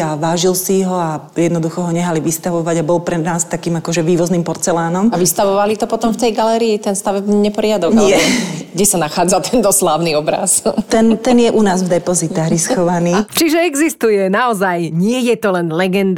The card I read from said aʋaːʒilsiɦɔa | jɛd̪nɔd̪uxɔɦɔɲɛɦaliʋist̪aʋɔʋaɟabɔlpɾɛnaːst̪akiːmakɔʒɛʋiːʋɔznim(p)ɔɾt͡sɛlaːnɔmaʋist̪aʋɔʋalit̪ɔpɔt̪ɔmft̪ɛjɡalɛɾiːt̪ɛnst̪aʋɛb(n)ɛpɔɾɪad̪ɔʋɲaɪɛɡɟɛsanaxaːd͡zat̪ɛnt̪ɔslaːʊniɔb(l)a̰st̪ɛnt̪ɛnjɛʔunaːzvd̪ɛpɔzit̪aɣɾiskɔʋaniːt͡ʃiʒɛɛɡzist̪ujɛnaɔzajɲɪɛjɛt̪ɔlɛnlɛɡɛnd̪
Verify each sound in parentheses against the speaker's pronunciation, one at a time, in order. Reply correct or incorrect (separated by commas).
correct, incorrect, incorrect